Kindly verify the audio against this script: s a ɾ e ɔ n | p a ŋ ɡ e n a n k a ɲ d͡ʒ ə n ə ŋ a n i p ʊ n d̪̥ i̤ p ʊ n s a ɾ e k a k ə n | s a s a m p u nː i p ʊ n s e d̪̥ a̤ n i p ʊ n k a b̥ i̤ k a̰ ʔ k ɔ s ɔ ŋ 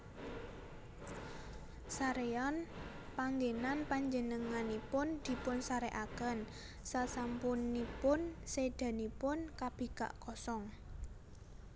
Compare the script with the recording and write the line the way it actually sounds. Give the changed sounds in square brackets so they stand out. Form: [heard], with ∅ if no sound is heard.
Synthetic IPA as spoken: s a ɾ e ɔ n | p a ŋ ɡ e n a n [p] a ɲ d͡ʒ ə n ə ŋ a n i p ʊ n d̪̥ i̤ p ʊ n s a ɾ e [ʔ] a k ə n | s a s a m p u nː i p ʊ n s e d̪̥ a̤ n i p ʊ n k a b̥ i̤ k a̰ ʔ k ɔ s ɔ ŋ